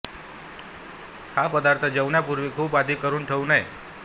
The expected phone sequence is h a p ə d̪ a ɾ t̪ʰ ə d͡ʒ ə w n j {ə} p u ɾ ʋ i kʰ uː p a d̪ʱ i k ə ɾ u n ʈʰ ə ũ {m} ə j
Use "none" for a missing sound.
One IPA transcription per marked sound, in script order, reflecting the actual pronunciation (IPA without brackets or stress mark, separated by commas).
a, n